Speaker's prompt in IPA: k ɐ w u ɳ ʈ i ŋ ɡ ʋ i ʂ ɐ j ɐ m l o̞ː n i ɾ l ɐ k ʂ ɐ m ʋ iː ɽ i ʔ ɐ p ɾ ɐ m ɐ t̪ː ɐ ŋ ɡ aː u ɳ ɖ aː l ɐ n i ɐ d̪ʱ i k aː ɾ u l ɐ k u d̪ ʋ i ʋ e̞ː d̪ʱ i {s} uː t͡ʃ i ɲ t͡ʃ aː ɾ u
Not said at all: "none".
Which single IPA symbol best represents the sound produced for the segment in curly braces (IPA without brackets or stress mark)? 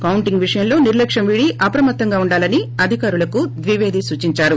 s